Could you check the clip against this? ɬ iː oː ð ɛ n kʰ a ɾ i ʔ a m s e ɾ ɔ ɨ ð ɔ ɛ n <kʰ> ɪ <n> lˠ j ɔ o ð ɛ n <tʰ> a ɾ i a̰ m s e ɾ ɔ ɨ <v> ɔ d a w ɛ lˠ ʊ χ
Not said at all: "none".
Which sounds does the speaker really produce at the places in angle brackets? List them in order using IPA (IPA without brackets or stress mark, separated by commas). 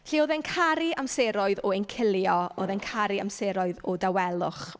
kʰ, none, kʰ, ð